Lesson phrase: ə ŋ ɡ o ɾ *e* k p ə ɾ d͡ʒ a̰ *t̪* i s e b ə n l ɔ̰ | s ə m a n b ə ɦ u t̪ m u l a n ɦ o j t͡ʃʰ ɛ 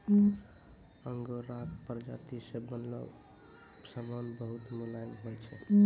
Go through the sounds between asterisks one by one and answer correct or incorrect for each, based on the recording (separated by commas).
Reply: incorrect, correct